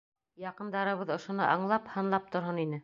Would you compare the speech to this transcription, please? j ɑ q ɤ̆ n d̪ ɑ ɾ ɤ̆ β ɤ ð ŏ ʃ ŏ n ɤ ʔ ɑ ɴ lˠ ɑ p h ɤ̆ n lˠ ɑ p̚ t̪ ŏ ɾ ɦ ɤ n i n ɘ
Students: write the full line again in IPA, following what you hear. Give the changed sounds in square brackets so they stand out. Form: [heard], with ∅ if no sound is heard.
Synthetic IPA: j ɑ q ɤ̆ n d̪ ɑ ɾ ɤ̆ β ɤ ð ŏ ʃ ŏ n ɤ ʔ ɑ ɴ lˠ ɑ p h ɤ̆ n lˠ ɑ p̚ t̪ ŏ ɾ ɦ ɤ n i n ɘ